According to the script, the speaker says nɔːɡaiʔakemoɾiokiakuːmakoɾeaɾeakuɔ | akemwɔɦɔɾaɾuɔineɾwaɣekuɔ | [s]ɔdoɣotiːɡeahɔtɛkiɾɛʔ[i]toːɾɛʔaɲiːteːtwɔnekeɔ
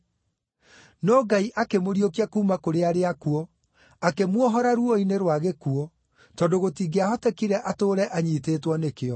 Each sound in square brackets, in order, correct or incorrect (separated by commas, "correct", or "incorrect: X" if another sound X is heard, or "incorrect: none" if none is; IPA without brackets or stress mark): incorrect: t, incorrect: a